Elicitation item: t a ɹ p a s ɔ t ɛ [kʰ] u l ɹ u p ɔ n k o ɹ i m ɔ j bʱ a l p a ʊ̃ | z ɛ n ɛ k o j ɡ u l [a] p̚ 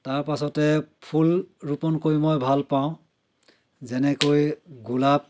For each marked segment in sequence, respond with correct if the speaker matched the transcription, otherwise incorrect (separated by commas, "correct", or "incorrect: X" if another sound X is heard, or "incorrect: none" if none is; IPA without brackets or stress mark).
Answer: incorrect: pʰ, correct